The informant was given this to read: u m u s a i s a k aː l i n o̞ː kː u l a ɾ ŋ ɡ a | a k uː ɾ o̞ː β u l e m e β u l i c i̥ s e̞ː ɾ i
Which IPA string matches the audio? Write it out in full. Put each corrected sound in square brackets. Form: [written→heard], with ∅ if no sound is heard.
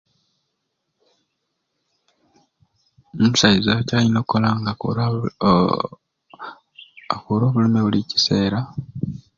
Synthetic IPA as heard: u m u s a i [s→z] a [k→c] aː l i n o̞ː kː [u→o] l a [ɾ→∅] ŋ ɡ a | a k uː ɾ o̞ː β u l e m e β u l i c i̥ s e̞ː ɾ [i→a]